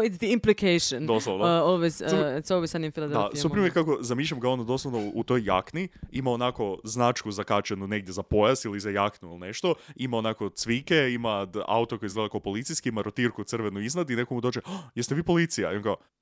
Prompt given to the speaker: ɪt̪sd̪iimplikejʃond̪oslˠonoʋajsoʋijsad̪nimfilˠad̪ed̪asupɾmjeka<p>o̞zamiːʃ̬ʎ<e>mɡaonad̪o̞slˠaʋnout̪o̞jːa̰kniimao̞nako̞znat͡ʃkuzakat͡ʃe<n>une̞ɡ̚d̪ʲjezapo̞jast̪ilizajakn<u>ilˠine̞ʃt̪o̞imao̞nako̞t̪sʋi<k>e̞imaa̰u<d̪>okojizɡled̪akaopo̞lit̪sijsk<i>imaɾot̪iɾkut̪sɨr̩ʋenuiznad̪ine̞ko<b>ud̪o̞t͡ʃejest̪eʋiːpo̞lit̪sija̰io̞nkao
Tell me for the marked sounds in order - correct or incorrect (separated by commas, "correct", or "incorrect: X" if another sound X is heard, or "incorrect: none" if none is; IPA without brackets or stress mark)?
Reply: incorrect: k, incorrect: a, correct, correct, correct, incorrect: t̪, correct, incorrect: m